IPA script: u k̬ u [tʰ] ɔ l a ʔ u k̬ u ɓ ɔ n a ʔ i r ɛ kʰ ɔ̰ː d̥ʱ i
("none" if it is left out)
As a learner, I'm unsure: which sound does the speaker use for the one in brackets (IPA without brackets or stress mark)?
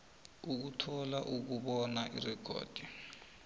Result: tʰ